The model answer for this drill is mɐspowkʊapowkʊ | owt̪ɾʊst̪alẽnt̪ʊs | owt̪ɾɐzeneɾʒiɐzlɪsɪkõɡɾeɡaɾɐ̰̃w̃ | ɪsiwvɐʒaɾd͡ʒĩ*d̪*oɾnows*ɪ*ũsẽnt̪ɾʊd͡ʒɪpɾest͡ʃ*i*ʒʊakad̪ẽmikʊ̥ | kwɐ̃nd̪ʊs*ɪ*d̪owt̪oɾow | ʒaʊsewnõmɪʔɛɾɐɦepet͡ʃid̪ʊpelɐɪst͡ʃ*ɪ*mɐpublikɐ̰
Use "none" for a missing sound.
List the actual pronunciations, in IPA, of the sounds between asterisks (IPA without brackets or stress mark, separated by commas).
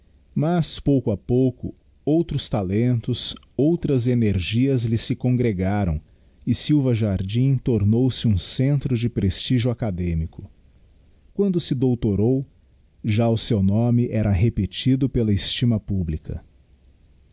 t̪, ɪ, i, ɪ, i